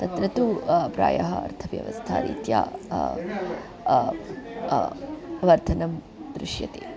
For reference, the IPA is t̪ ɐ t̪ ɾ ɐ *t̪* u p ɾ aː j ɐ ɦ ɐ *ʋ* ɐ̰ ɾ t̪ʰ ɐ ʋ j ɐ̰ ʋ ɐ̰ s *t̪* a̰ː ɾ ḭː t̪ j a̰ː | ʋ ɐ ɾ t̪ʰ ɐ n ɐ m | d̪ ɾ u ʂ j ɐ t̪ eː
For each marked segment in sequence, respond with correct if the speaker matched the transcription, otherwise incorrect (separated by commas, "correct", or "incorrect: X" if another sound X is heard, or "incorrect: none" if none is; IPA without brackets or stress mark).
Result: correct, incorrect: none, incorrect: t̪ʰ